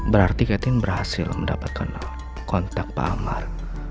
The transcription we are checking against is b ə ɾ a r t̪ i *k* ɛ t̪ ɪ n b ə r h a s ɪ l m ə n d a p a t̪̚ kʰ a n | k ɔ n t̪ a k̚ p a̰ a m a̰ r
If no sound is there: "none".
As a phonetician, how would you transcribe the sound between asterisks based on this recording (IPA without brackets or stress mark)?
k